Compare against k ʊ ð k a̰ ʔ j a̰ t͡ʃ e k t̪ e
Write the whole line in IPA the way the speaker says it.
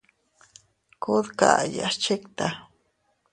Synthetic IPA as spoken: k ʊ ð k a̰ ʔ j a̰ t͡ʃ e k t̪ a